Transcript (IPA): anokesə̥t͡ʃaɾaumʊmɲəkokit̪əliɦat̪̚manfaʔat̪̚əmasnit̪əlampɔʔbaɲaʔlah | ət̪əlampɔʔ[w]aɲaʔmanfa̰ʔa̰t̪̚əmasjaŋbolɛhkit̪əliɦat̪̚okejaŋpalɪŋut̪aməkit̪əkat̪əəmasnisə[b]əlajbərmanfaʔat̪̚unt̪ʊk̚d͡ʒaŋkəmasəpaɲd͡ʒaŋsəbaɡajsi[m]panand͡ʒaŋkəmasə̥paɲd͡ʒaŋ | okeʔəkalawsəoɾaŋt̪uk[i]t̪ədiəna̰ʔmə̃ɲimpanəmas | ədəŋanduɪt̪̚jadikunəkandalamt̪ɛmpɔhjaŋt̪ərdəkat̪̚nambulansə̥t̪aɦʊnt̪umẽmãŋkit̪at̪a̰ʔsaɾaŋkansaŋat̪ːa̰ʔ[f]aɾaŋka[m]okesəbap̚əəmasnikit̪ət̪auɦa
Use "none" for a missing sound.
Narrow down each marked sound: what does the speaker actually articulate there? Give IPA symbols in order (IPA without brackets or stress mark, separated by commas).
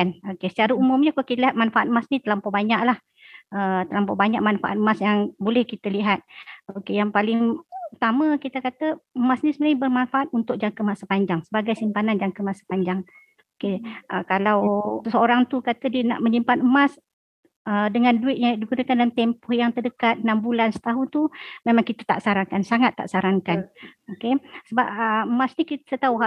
b, m, m, a, s, n